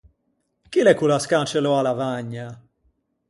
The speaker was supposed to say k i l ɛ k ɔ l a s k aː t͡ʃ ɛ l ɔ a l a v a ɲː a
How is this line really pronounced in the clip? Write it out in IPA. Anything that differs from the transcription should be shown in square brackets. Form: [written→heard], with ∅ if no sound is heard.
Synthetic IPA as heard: k i l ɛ k [ɔ→u] l a s k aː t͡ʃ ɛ l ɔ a l a v a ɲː a